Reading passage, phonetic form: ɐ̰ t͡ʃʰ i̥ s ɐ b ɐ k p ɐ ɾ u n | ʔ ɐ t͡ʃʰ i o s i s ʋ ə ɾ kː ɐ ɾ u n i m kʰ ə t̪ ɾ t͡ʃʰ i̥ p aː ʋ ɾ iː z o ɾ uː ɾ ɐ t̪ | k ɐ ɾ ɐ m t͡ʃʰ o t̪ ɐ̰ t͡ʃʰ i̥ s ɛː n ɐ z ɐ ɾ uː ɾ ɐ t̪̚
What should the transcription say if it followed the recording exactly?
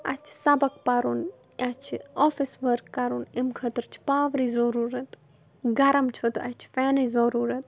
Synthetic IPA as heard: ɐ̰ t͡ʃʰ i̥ s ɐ b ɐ k p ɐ ɾ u n | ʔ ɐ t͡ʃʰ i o f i s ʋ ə ɾ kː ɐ ɾ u n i m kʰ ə t̪ ɾ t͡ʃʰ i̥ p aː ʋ ɾ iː z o ɾ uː ɾ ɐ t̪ | ɡ ɐ ɾ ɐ m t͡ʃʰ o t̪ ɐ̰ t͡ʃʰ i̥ f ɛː n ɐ z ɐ ɾ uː ɾ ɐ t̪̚